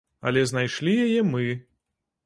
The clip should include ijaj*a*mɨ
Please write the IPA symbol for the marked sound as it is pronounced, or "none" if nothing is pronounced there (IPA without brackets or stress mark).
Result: ɛ